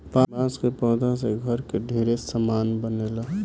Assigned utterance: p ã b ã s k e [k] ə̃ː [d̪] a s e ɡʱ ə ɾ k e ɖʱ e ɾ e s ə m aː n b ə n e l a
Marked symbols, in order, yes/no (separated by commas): no, yes